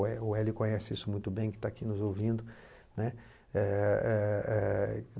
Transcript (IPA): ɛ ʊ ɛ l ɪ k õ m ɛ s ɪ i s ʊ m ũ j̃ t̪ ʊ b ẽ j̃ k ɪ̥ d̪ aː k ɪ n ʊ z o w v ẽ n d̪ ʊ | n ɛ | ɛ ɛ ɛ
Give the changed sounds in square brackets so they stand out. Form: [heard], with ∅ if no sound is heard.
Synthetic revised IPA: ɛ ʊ ɛ l ɪ k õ [ɲ] ɛ s ɪ i s ʊ m ũ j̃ t̪ ʊ b ẽ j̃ k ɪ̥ [t̪] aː k [i] n ʊ z o w v [ĩ] n d̪ ʊ | n ɛ | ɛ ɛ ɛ